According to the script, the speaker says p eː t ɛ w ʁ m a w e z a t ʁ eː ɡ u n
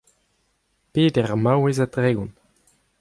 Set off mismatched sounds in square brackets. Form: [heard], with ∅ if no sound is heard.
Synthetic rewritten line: p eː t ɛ [∅] ʁ m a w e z a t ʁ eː ɡ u n

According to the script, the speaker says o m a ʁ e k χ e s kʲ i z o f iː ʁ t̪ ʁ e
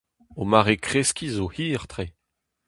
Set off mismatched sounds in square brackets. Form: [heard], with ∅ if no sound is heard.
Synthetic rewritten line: o m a ʁ e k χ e s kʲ i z o [h] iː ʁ t̪ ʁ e

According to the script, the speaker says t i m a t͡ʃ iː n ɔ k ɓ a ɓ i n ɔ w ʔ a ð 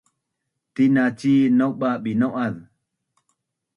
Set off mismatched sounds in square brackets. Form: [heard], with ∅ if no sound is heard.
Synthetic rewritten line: t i [n] a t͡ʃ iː n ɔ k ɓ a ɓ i n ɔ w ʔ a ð

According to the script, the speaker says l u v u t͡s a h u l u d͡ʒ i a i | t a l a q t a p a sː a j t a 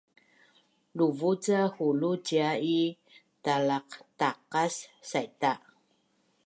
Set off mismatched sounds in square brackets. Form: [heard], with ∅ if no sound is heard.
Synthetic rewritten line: l u v u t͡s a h u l u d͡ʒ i a i | t a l a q t a [q] a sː a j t a

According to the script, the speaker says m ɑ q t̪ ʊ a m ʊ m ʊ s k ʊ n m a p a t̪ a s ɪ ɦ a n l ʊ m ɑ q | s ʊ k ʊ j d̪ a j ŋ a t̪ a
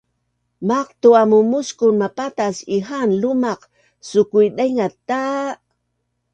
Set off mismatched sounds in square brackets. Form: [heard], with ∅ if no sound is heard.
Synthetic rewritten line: m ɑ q t̪ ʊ a m ʊ m ʊ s k ʊ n m a p a t̪ a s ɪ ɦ a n l ʊ m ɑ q | s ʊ k ʊ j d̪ a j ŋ a t̪ a

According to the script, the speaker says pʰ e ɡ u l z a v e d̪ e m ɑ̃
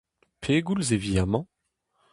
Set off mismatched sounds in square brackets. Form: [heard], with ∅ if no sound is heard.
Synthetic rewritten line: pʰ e ɡ u l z [e] v [i] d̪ [a] m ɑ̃

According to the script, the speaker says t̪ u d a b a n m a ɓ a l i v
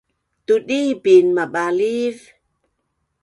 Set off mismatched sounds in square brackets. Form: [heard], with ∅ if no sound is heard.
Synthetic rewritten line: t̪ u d [i] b [i] n m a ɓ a l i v

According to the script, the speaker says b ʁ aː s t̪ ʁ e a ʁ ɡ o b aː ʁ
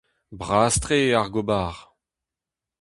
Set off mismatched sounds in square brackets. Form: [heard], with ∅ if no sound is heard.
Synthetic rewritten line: b ʁ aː s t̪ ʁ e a ʁ ɡ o b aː ʁ

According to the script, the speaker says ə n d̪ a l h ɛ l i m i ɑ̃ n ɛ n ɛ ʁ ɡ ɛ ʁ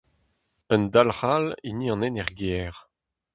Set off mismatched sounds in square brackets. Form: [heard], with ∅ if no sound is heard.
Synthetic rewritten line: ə n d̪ a l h [a] l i [n] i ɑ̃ n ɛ n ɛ ʁ ɡ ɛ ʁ

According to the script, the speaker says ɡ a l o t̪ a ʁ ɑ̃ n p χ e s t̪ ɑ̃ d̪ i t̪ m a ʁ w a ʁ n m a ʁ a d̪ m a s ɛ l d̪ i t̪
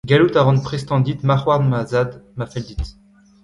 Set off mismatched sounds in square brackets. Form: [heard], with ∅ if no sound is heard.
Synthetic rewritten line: ɡ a l [u] t̪ a ʁ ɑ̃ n p χ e s t̪ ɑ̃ d̪ i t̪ m a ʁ w a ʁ n m a [z] a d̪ m a [f] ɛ l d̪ i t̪

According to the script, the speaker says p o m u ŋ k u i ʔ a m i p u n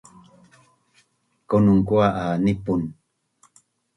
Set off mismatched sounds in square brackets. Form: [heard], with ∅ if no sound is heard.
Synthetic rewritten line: [k] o [n] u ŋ k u [a] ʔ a [n] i p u n

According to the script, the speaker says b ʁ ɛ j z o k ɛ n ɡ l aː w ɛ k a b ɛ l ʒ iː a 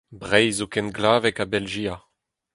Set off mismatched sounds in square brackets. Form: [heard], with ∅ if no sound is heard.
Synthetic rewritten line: b ʁ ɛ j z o k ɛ n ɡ l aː [v] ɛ k a b ɛ l ʒ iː a

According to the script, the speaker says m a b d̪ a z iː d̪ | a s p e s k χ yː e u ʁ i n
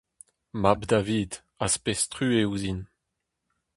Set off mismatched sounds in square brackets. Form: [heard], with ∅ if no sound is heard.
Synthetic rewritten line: m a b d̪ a [v] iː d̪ | a s p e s [t] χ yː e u [z] i n

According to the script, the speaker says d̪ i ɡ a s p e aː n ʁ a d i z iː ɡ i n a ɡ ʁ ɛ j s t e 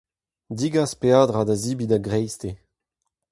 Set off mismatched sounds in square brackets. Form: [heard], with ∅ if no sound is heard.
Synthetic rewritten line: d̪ i ɡ a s p e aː [d] ʁ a d [a] z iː [b] i [d] a ɡ ʁ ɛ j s t e

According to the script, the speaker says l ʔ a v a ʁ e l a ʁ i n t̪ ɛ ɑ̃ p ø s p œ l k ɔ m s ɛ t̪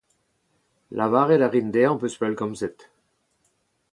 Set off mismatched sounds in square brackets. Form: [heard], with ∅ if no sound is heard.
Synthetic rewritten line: l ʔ a v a ʁ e l a ʁ i n [d̪] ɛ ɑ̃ p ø s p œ l k ɔ m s ɛ t̪

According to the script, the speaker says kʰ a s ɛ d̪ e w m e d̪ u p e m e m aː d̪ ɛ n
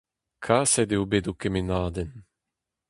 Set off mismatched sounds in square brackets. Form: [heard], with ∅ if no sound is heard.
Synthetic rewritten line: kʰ a s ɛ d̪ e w [b] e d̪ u [k] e m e [n] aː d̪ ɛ n

